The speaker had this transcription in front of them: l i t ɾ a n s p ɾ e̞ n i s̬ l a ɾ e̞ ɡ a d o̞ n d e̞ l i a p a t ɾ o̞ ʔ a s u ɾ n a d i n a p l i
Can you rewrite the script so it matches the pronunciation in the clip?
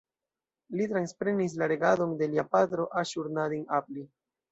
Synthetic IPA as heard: l i t ɾ a n s p ɾ e̞ n i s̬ l a ɾ e̞ ɡ a d o̞ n d e̞ l i a p a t ɾ o̞ ʔ a ʃ u ɾ n a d i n a p l i